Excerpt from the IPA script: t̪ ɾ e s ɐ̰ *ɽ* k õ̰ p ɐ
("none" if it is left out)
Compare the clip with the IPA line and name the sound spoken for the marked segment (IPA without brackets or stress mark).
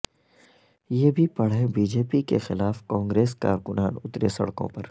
ɽ